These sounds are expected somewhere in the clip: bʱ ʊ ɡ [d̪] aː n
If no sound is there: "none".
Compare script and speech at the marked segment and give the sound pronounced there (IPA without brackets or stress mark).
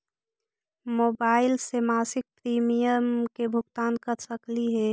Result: t̪